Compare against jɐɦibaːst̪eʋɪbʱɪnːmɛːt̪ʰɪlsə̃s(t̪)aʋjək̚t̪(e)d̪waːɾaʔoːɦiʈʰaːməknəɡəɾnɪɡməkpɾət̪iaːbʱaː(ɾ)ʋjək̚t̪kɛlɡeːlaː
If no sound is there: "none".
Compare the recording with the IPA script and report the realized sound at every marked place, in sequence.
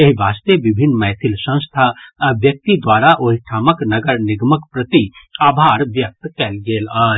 t̪ʰ, i, ɾ

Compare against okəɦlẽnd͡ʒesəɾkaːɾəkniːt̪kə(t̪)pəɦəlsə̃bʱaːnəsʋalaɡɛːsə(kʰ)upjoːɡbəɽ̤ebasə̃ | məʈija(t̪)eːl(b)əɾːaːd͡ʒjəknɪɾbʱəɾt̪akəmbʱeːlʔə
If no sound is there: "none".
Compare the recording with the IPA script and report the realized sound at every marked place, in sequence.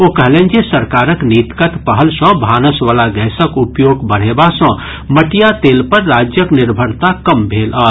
t̪, k, t̪, p

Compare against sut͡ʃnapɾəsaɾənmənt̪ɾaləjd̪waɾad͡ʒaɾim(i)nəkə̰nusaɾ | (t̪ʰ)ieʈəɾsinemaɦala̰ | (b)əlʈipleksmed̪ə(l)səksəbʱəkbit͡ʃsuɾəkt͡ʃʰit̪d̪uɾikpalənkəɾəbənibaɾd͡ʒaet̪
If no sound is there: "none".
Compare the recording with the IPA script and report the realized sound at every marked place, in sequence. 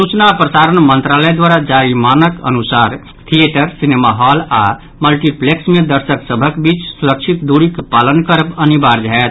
a, t̪ʰ, m, ɾ

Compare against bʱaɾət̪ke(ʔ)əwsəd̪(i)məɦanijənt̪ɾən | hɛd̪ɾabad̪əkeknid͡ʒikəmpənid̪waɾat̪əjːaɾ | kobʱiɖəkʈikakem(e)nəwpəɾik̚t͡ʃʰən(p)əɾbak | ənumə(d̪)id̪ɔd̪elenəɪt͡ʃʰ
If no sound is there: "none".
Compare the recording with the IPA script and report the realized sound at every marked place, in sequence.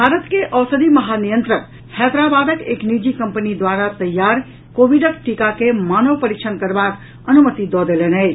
ʔ, i, a, k, t̪

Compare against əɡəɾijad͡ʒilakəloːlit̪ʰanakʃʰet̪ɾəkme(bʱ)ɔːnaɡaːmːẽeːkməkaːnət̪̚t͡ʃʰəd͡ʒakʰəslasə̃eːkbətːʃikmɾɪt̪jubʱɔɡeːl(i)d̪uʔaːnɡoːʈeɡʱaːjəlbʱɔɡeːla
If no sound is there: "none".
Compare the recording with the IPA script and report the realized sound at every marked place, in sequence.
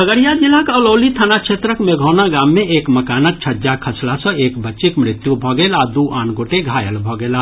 ɡʱ, a

